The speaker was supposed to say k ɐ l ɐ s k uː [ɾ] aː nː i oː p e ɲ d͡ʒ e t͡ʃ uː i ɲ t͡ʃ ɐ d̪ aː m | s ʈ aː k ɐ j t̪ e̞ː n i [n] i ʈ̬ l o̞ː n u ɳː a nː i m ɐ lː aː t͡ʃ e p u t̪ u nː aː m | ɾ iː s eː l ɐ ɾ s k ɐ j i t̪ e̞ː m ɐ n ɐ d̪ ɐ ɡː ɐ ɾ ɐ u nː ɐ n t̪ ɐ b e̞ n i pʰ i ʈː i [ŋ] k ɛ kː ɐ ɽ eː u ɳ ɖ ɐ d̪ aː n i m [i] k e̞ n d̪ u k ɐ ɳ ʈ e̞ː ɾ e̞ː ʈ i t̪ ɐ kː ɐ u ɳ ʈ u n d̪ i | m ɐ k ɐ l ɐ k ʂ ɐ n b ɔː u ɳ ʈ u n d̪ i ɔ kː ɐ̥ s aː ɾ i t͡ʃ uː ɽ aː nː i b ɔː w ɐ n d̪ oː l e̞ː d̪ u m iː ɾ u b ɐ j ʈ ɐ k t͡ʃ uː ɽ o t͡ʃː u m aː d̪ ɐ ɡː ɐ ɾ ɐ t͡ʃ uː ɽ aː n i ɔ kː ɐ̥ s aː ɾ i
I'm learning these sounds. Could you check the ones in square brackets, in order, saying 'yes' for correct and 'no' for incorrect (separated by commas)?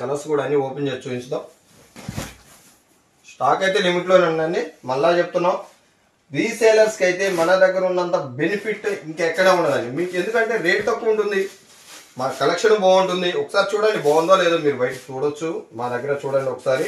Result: no, no, yes, no